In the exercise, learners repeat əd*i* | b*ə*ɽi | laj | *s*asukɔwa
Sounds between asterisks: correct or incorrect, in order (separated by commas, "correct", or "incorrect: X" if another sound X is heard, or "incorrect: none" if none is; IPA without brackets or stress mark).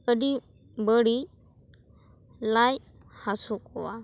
correct, correct, incorrect: h